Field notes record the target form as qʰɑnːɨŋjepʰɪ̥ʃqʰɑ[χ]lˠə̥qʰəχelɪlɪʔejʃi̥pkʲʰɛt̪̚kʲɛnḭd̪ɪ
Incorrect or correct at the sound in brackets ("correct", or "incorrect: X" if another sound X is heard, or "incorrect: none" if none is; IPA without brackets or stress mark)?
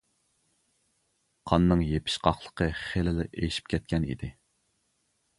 correct